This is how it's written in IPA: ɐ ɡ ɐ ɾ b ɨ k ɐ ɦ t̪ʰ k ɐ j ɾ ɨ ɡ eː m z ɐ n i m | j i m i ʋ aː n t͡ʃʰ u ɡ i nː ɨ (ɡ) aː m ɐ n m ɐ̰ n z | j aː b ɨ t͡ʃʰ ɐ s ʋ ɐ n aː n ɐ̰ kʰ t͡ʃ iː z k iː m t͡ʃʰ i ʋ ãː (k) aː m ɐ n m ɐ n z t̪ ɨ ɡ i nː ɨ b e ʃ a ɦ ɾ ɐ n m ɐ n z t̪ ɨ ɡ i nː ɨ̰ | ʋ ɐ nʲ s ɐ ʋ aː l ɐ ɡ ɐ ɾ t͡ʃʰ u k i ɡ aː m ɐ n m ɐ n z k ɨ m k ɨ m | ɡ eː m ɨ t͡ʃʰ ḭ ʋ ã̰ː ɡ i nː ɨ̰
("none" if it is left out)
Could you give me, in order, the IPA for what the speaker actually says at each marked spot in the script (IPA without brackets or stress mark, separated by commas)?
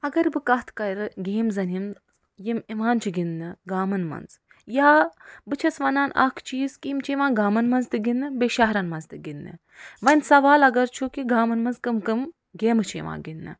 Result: ɡ, ɡ